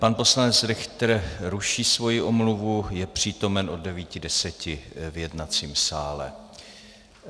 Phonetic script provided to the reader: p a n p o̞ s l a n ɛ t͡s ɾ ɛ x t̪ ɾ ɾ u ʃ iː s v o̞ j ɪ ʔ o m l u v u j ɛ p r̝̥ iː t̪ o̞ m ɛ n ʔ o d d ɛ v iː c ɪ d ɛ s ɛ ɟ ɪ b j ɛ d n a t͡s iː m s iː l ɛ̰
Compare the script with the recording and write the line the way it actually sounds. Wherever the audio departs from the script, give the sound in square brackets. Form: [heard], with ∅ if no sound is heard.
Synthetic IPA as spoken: p a n p o̞ s l a n ɛ t͡s ɾ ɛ x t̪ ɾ ɾ u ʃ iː s v o̞ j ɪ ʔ o m l u v u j ɛ p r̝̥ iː t̪ o̞ m ɛ n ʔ o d d ɛ v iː c ɪ d ɛ s ɛ [c] ɪ [v] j ɛ d n a t͡s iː m s [aː] l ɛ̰